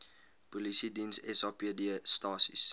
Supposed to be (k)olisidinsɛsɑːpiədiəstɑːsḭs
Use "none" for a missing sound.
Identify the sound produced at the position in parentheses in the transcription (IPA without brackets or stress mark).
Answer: p